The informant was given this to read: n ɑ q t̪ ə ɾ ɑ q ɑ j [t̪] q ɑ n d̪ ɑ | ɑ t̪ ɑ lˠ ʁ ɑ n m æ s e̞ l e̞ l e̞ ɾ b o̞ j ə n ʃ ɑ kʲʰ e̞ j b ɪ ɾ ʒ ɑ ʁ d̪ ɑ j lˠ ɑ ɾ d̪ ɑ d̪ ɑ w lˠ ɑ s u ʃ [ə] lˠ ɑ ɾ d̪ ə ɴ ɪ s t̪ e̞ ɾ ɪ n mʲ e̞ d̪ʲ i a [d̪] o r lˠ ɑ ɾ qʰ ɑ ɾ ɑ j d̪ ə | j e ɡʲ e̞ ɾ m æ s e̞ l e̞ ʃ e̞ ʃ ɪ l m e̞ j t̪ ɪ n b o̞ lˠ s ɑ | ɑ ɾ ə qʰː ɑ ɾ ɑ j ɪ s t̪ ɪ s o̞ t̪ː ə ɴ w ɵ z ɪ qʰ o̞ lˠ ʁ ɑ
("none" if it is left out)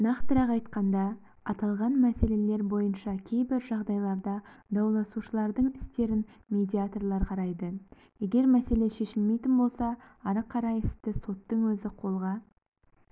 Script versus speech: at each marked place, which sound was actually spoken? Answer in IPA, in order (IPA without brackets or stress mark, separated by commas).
t̪, ə, t̪